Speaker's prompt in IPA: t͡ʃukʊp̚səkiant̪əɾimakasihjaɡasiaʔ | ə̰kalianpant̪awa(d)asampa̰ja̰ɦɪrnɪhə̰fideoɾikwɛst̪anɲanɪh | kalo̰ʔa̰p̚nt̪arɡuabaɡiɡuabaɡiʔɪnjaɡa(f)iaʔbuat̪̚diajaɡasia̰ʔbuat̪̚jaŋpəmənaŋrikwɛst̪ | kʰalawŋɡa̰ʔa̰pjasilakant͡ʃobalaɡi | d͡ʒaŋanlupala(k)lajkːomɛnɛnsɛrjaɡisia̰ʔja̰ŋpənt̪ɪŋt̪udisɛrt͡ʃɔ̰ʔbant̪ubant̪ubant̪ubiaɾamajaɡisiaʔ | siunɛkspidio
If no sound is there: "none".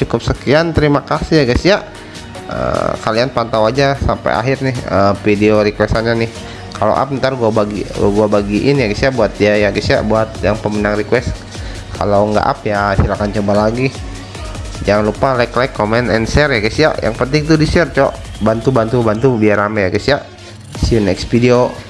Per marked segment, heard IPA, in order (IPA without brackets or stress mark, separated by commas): d͡ʒ, s, k